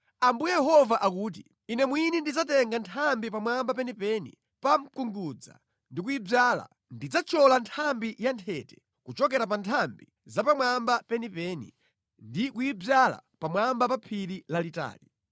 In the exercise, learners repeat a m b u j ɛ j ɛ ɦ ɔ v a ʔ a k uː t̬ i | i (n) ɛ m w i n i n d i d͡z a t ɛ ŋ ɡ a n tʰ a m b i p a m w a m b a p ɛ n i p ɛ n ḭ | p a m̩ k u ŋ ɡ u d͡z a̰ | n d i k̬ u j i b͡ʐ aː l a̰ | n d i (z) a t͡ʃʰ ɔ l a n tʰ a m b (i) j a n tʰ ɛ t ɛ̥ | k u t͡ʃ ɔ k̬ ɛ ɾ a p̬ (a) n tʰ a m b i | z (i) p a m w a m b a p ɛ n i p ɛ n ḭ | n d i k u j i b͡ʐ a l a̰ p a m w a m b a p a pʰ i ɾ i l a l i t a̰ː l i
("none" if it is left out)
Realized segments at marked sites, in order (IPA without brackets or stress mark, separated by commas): n, d͡z, i, a, a